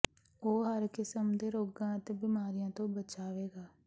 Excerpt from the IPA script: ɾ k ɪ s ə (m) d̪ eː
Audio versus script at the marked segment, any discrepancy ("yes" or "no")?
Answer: no